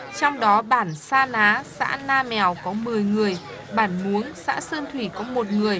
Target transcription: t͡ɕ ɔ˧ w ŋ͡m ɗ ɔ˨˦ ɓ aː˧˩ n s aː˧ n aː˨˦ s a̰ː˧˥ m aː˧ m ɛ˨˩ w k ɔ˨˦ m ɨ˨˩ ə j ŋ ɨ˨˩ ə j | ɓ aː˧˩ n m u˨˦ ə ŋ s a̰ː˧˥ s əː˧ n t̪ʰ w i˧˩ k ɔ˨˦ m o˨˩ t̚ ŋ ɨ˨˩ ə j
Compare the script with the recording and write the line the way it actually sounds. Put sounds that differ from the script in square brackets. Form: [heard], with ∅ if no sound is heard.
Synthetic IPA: t͡ɕ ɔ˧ w ŋ͡m ɗ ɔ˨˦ ɓ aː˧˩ n s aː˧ n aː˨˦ s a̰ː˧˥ [n] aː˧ m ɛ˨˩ w k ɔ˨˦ m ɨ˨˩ ə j ŋ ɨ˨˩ ə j | ɓ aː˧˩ n m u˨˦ ə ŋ s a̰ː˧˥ s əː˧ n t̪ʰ w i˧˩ k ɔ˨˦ m o˨˩ t̚ ŋ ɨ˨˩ ə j